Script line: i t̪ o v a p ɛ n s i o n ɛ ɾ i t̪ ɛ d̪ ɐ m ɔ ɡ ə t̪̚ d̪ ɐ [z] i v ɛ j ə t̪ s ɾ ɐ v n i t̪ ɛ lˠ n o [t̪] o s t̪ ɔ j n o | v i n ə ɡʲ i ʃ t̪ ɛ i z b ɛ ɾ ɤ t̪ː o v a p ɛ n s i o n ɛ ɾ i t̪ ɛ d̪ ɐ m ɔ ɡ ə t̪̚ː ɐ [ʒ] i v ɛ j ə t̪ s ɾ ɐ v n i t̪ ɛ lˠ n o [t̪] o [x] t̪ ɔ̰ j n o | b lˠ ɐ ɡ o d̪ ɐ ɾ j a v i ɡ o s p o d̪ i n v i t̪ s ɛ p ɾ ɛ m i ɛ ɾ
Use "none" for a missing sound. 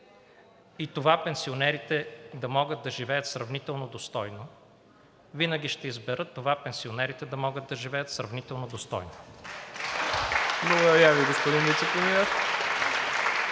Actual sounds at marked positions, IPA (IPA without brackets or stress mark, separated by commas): ʒ, d̪, ʒ, d̪, s